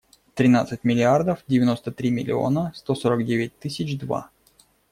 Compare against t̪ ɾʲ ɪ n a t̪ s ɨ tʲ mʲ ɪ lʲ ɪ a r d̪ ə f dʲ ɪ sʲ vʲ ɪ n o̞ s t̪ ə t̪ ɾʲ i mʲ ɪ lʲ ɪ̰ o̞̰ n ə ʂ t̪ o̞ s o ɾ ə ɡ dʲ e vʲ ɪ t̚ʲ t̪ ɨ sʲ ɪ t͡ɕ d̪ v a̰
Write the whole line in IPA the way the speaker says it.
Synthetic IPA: t̪ ɾʲ ɪ n a t̪ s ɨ tʲ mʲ ɪ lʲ ɪ a r d̪ ə f dʲ ɪ vʲ ɪ n o̞ s t̪ ə t̪ ɾʲ i mʲ ɪ lʲ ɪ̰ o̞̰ n ə s t̪ o̞ s o ɾ ə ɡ dʲ e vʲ ɪ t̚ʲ t̪ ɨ sʲ ɪ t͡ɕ d̪ v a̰